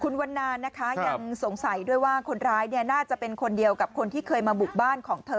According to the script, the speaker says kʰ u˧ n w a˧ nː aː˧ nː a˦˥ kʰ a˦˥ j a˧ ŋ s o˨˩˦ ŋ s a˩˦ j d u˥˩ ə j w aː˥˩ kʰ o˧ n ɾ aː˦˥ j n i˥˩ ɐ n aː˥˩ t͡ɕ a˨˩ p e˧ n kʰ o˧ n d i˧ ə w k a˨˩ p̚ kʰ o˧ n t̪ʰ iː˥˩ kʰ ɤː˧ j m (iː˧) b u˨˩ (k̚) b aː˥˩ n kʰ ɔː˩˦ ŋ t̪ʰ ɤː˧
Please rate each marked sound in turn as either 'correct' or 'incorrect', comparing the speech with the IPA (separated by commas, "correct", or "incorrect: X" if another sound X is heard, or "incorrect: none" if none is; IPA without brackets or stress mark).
incorrect: aː˧, correct